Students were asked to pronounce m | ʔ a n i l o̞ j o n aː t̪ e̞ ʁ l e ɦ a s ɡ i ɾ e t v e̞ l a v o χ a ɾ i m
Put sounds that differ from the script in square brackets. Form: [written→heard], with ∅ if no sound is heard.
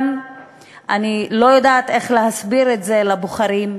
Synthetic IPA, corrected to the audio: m | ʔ a n i l o̞ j o [n→d] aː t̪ e̞ [ʁ→χ] l e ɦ a s [ɡ→b] i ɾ e t [v→z] e̞ l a [v→b] o χ a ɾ i m